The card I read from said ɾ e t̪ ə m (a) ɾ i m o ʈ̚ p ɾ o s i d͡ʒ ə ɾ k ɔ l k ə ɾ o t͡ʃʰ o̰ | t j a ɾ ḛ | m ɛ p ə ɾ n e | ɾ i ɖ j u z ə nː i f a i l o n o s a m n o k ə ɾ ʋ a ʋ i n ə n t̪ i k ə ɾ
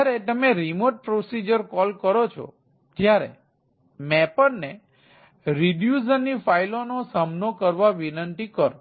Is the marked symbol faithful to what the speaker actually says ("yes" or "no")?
no